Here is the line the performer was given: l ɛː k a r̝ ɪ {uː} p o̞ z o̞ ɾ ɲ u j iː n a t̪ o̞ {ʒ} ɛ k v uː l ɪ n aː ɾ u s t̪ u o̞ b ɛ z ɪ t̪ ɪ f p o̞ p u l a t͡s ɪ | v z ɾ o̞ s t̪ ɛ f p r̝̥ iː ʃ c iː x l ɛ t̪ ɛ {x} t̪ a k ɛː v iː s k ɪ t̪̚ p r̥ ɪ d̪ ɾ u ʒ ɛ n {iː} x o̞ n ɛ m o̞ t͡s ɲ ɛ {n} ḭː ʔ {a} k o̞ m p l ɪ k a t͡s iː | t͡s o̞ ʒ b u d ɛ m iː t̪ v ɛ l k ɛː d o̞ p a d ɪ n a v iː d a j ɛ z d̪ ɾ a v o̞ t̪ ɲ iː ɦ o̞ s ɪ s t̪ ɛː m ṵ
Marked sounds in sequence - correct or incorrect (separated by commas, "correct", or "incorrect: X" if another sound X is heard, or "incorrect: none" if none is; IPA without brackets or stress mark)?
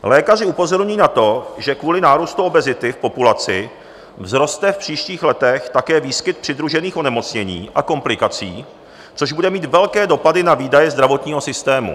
incorrect: u, correct, correct, correct, incorrect: ɲ, correct